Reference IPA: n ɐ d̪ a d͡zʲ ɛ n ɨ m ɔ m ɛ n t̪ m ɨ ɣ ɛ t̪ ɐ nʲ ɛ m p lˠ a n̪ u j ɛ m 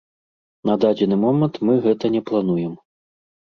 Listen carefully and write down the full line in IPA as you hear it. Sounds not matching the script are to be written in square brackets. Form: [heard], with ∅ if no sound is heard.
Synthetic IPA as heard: n ɐ d̪ a d͡zʲ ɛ n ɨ m ɔ m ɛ n t̪ m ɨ ɣ ɛ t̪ ɐ nʲ ɛ [∅] p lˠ a n̪ u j ɛ m